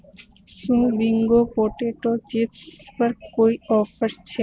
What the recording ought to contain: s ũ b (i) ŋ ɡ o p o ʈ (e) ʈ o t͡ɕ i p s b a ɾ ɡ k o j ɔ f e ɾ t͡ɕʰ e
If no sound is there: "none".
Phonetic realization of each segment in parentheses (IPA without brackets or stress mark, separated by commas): i, e